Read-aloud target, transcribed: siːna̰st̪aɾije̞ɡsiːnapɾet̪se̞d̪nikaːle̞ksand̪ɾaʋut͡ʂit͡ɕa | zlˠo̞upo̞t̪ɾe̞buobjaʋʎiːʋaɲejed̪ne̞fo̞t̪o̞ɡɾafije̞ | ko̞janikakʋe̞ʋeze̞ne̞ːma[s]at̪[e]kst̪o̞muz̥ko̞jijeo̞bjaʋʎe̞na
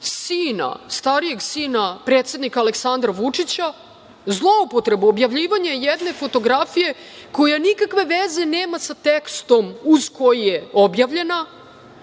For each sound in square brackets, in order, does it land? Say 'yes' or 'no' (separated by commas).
yes, yes